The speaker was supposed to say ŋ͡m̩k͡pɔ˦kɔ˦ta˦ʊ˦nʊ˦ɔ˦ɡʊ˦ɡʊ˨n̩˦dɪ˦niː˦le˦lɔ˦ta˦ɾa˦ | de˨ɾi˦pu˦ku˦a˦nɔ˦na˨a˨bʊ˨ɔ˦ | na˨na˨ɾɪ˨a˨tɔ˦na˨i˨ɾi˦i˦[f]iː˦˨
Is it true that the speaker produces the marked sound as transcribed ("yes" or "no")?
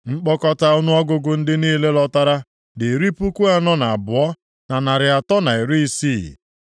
no